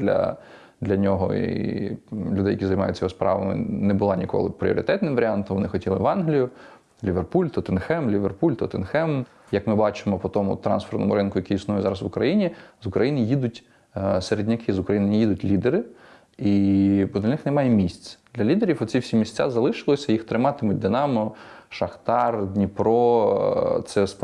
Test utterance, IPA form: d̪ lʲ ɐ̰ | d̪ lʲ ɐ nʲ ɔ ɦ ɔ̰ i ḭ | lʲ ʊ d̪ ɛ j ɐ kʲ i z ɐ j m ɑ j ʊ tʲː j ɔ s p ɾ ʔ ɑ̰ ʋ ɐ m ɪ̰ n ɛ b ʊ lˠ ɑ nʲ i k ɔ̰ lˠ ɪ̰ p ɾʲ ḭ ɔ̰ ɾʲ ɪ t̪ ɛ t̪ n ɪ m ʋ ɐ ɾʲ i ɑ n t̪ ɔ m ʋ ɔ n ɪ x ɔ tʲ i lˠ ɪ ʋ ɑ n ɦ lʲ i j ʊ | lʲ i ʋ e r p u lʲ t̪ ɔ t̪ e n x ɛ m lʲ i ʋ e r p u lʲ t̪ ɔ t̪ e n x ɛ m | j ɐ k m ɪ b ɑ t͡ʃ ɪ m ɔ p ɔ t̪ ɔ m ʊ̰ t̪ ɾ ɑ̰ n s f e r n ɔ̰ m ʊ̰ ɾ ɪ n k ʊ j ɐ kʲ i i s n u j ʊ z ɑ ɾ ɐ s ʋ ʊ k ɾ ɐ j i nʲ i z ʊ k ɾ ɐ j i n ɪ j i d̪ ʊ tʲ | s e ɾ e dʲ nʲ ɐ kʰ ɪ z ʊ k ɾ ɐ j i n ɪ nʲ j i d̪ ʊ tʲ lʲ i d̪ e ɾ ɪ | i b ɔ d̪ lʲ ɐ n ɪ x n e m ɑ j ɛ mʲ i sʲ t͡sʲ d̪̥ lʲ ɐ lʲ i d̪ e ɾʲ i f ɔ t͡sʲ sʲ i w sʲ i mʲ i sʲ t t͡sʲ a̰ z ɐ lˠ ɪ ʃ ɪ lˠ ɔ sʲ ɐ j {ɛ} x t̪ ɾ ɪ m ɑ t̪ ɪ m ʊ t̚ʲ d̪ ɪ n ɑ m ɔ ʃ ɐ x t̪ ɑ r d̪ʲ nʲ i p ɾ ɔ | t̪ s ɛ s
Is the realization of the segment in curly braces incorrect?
yes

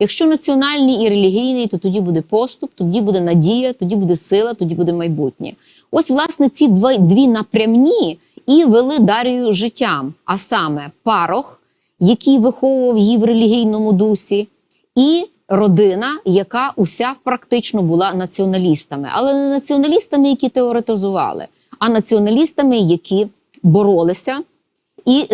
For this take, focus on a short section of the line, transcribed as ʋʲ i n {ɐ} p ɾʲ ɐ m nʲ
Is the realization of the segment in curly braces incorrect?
no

